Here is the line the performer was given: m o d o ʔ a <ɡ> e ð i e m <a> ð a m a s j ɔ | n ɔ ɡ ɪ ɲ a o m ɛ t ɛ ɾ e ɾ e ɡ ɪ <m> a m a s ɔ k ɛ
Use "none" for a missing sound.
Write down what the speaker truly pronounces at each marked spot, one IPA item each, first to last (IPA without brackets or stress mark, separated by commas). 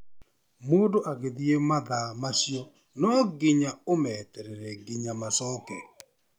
ɡ, a, ɲ